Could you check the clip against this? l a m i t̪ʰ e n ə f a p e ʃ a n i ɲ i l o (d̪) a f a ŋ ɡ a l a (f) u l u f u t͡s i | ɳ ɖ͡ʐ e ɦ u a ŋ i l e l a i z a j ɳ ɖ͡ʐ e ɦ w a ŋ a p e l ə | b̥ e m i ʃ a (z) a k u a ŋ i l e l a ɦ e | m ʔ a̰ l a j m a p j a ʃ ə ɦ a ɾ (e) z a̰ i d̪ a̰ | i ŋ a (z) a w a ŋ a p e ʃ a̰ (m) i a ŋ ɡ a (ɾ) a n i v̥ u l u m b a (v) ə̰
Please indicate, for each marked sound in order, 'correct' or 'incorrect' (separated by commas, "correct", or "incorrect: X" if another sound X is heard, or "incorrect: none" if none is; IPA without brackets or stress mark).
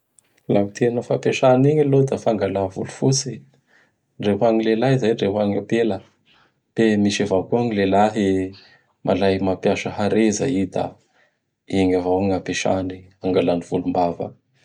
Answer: correct, incorrect: v, incorrect: v, correct, incorrect: v, incorrect: n, incorrect: l, correct